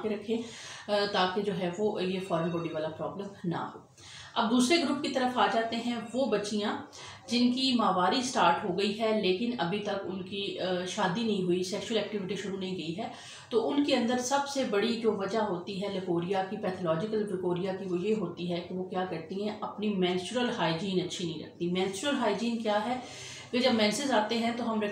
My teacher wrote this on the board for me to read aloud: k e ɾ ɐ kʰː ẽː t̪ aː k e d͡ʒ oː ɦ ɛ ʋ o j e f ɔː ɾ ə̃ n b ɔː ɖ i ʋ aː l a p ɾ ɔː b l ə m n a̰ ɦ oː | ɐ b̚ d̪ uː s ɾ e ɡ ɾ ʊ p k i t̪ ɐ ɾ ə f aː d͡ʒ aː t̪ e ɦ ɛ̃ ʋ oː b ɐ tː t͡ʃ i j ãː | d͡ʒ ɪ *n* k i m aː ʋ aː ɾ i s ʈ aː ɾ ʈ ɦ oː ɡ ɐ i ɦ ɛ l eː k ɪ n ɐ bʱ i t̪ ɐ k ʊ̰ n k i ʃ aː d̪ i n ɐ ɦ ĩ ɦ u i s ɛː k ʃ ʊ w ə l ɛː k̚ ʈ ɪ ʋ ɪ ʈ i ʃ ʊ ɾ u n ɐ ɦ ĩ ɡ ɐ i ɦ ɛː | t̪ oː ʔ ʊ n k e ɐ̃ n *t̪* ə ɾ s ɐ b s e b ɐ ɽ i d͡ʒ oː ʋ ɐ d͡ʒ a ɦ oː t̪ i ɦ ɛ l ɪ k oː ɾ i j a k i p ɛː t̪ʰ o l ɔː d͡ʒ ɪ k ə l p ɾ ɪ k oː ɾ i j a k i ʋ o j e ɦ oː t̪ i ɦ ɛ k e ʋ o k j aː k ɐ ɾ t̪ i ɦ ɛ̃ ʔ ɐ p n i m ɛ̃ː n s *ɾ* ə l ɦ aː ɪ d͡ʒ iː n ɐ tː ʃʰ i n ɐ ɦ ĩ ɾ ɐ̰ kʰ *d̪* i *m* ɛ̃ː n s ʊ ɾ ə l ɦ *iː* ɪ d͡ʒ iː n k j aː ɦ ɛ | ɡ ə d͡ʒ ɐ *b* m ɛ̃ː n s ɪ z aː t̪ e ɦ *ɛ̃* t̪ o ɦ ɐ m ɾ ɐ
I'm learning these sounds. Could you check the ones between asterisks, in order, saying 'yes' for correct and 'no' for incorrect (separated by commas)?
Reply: yes, no, yes, no, yes, no, yes, yes